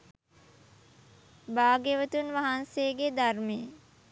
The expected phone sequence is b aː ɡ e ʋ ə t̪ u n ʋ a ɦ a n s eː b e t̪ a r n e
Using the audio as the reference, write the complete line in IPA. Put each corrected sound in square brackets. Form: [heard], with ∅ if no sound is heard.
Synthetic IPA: b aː ɡ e ʋ ə t̪ u n ʋ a ɦ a n s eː [ɡ] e [d̪] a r [m] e